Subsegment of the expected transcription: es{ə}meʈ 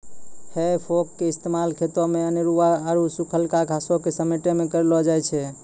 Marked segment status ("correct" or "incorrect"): correct